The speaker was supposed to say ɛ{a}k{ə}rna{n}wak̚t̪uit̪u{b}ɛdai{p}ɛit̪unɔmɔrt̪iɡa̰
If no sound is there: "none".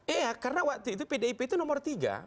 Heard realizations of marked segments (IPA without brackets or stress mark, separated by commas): a, a, none, p, p